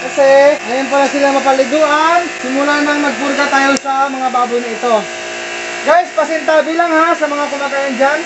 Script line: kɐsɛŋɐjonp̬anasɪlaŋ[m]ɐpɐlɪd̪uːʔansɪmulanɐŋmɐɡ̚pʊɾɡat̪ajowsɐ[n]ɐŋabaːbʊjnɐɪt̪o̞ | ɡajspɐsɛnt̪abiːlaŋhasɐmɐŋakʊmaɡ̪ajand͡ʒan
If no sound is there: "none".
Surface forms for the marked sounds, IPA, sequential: m, m

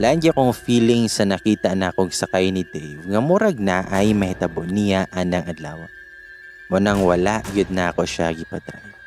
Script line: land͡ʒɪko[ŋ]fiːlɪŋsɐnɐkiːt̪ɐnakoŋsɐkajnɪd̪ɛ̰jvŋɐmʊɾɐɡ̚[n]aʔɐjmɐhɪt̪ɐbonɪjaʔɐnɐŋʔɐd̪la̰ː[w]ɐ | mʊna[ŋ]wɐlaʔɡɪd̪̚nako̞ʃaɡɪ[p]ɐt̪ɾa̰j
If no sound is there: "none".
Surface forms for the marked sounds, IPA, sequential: ŋ, n, w, ŋ, p

